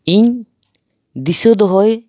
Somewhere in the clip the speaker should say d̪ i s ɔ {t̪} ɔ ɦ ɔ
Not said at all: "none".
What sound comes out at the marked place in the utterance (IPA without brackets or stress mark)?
d̪